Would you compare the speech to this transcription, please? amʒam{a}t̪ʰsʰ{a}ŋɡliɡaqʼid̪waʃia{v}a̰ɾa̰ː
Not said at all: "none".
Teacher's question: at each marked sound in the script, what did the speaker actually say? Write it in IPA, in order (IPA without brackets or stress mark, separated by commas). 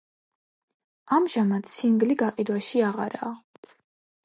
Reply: a, i, ʁ